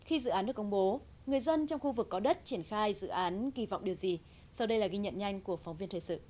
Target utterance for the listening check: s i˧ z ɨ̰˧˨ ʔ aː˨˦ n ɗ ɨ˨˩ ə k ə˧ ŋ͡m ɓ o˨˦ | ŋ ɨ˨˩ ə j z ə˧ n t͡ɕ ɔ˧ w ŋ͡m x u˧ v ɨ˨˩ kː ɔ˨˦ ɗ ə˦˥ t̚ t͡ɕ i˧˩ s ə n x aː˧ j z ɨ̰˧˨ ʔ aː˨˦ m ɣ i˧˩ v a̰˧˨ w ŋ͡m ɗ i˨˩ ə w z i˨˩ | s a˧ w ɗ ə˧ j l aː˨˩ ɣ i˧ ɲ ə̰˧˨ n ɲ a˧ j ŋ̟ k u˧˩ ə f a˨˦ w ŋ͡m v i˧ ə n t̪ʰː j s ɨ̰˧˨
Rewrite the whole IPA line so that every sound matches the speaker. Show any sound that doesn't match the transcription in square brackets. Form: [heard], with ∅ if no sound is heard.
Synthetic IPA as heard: [x] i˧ z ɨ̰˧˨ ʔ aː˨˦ n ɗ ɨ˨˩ ə k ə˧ ŋ͡m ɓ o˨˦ | ŋ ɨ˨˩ ə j z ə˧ n t͡ɕ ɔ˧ w ŋ͡m x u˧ v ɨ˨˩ kː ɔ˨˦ ɗ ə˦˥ t̚ t͡ɕ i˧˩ [∅] ə n x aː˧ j z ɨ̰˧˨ ʔ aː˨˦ [n] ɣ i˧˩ v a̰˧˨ w ŋ͡m ɗ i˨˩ ə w z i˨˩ | s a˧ w ɗ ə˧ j l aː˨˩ ɣ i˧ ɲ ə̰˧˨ n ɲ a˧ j ŋ̟ k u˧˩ ə f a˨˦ w ŋ͡m v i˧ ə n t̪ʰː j s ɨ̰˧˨